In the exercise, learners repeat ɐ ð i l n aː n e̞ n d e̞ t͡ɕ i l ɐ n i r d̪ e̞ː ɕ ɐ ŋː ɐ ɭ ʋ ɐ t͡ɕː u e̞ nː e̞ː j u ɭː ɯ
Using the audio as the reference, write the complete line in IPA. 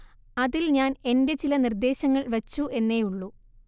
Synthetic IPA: ɐ ð i l ɲ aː n e̞ n d e̞ t͡ɕ i l ɐ n i r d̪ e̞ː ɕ ɐ ŋː ɐ ɭ ʋ ɐ t͡ɕː u e̞ nː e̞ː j u ɭː u